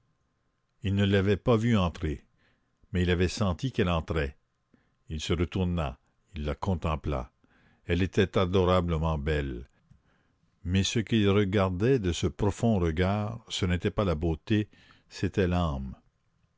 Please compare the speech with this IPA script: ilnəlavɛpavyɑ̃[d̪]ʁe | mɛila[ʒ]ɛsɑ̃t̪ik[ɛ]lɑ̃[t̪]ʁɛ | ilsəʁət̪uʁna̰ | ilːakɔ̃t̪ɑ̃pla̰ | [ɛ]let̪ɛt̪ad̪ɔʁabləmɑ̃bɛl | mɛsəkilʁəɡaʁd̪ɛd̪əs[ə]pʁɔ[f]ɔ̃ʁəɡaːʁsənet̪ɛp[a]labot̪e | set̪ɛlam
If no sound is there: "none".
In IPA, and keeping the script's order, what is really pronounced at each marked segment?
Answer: t̪, v, ɛ, t̪, ɛ, ə, f, a

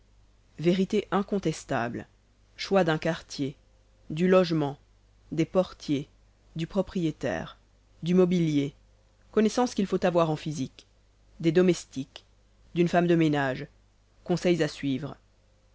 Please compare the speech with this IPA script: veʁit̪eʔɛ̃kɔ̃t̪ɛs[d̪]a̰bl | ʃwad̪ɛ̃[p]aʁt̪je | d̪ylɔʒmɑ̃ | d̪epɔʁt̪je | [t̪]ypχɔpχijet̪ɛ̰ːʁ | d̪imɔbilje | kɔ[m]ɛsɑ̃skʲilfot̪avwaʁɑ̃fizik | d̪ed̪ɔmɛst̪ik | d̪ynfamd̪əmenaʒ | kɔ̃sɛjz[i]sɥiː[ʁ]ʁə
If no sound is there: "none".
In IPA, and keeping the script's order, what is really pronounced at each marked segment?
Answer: t̪, k, d̪, n, a, v

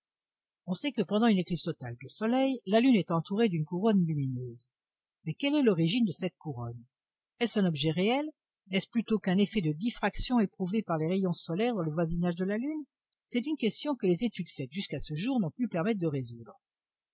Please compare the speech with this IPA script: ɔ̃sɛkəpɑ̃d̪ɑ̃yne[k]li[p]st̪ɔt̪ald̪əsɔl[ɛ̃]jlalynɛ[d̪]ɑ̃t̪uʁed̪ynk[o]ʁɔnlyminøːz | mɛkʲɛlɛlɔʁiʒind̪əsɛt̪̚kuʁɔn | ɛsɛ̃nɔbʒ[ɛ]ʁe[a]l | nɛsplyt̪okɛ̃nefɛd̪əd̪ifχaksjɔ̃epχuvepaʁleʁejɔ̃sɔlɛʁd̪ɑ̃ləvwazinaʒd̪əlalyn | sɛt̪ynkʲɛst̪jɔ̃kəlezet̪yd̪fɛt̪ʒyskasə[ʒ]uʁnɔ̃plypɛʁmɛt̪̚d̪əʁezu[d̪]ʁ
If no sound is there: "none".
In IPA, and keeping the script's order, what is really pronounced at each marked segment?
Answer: k, p, ɛ, t̪, u, ɛ, ɛ, ʒ, d̪

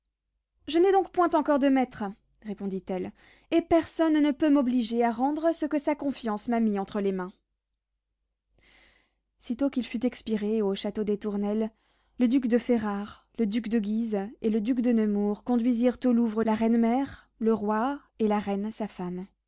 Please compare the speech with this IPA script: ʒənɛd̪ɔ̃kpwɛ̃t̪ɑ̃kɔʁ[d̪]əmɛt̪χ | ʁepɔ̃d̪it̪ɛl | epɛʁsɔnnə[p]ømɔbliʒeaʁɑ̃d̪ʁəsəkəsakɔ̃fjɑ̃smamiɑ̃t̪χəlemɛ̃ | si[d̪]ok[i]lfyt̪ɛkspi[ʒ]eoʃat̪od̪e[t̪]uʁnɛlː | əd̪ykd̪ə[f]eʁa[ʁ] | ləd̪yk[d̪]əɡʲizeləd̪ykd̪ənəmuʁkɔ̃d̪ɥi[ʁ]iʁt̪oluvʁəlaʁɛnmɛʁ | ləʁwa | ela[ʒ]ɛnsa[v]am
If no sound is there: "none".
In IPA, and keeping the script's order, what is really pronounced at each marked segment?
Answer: d̪, p, t̪, i, ʁ, t̪, f, ʁ, d̪, z, ʁ, f

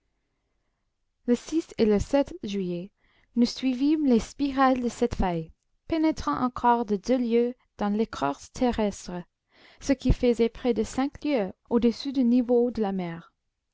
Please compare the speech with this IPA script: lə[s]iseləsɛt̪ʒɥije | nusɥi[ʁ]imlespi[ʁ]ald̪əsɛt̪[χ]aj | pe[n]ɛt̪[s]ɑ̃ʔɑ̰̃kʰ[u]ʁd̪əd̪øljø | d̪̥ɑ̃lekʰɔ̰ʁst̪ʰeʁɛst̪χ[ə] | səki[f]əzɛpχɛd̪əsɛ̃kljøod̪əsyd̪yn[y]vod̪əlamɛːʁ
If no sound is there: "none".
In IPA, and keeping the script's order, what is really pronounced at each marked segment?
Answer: s, v, ʁ, f, n, χ, ɔ, ə, f, i

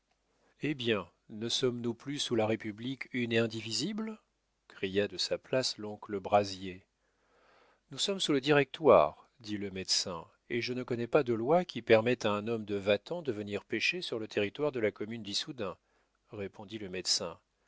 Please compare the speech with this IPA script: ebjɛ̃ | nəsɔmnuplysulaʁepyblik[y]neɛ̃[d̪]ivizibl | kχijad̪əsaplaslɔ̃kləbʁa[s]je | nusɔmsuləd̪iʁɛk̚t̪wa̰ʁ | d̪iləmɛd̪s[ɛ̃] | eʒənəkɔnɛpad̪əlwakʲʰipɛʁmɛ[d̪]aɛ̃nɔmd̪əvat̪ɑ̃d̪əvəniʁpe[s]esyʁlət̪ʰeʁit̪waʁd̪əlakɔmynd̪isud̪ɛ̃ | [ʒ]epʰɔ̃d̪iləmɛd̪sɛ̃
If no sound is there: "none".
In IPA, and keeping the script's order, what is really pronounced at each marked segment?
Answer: y, d̪, z, ɛ̃, t̪, ʃ, ʁ

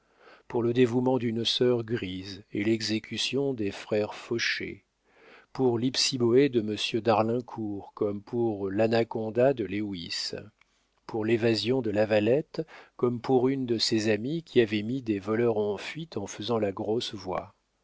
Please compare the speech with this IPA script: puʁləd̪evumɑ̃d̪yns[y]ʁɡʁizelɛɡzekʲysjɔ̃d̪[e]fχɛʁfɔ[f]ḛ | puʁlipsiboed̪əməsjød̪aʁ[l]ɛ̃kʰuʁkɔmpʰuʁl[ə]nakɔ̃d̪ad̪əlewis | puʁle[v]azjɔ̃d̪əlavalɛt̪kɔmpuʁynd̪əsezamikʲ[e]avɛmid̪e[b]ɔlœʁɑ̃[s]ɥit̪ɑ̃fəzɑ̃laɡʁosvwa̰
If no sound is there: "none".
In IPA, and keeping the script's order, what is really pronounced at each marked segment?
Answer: œ, e, ʃ, l, a, v, i, v, f

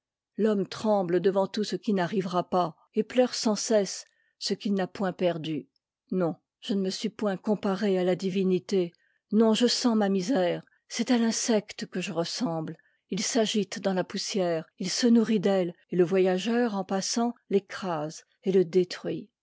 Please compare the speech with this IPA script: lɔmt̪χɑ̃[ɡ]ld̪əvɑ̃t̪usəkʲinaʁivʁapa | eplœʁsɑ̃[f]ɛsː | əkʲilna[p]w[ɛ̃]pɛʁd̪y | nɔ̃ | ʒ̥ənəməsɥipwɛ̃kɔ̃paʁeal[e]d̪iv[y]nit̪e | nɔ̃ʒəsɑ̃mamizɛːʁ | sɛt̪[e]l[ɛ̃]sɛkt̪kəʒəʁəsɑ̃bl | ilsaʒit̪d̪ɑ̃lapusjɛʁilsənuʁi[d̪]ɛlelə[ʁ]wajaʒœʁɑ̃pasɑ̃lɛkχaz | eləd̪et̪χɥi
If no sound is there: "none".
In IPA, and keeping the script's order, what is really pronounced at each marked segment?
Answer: b, s, p, ɛ̃, a, i, a, ɛ̃, d̪, v

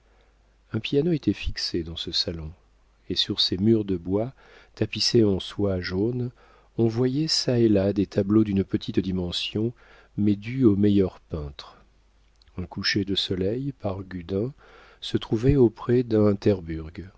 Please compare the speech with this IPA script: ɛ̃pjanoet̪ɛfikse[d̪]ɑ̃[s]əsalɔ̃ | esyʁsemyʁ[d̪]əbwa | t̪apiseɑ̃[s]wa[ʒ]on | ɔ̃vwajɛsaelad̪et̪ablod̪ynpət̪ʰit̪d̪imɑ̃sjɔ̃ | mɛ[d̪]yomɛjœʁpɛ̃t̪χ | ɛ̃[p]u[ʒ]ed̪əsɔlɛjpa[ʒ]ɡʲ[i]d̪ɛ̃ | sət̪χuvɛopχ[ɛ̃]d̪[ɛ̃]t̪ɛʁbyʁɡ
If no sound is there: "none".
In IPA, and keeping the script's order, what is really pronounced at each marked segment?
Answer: d̪, s, d̪, s, ʒ, d̪, k, ʃ, ʁ, y, ɛ, ɛ̃

